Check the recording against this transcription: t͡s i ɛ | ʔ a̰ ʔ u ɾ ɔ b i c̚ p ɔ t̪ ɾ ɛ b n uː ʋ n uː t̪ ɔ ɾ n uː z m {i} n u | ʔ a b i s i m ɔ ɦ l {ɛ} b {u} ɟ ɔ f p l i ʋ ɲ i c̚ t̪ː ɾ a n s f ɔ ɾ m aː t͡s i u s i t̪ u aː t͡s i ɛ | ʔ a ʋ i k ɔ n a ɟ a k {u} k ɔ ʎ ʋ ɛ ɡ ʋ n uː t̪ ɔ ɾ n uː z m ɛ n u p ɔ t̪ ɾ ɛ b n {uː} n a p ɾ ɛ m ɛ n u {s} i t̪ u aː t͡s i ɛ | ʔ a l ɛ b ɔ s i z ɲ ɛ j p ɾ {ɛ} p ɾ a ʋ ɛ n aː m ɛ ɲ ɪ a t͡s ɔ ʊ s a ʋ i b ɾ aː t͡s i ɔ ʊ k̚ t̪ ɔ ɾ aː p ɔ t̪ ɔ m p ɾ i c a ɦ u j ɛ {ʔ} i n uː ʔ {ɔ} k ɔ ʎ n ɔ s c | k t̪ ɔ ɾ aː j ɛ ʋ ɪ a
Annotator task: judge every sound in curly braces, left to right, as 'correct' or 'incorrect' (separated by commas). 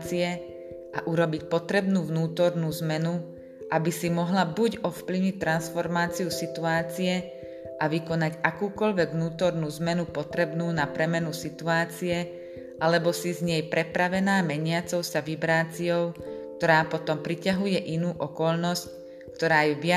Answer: incorrect, incorrect, correct, incorrect, correct, correct, correct, correct, correct